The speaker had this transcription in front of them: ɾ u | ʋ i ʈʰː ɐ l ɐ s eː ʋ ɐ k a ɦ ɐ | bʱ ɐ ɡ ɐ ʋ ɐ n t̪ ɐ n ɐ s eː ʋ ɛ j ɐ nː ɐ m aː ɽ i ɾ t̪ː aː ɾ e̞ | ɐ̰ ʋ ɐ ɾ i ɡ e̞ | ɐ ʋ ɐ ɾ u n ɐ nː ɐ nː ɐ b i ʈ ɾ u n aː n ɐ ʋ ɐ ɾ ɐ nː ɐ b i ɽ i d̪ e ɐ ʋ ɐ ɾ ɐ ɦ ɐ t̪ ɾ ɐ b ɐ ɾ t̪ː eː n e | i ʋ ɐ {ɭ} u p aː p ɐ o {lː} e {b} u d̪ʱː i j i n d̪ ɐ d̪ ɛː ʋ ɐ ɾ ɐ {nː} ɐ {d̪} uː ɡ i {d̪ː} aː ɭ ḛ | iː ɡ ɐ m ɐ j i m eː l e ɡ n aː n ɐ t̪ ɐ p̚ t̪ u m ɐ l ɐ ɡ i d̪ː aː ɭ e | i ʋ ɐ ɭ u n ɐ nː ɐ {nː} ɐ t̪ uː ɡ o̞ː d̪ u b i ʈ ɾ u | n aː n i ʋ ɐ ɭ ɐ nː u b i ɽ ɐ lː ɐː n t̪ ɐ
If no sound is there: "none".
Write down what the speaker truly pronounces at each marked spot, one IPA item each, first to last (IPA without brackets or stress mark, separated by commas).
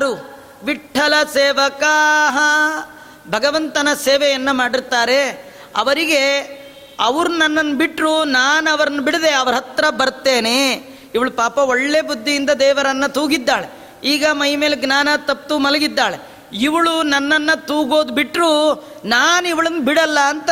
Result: ɭ, ɭː, b, nː, t̪, d̪ː, nː